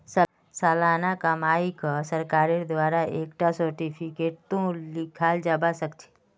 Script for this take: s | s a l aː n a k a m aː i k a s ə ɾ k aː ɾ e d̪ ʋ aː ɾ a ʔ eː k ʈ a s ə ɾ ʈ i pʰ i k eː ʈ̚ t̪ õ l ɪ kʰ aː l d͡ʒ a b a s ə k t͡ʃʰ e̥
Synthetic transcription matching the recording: s | s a l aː n a k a m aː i k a s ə ɾ k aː ɾ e d̪ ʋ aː ɾ a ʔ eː k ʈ a s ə ɾ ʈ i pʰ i k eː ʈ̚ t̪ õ l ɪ kʰ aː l d͡ʒ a b a s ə k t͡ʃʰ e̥